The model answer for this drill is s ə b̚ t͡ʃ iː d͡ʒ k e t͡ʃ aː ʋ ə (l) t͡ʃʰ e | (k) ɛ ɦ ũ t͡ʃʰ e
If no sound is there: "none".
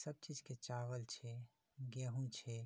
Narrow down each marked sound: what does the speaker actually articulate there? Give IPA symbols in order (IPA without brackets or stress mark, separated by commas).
l, ɡ